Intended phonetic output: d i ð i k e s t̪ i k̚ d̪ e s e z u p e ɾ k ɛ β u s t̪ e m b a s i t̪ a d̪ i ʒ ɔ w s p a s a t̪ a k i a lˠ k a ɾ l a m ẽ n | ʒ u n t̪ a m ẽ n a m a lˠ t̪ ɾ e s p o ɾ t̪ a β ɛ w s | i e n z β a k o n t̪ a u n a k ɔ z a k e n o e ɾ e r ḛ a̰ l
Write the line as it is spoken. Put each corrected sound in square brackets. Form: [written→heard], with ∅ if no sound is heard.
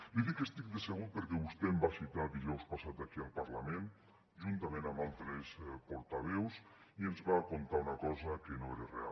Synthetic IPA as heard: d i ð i k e s t̪ i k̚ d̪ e s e [z→ɣ] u p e ɾ k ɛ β u s t̪ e m b a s i t̪ a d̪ i ʒ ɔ w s p a s a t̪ a k i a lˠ [k→p] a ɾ l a m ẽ n | ʒ u n t̪ a m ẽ n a m a lˠ t̪ ɾ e s p o ɾ t̪ a β ɛ w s | i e n z β a k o n t̪ a u n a k ɔ z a k e n o e ɾ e r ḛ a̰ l